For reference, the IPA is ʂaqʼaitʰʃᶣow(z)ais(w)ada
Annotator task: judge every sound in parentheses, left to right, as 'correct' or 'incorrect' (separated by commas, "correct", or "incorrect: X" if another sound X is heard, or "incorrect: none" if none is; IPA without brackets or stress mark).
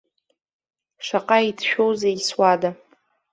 correct, correct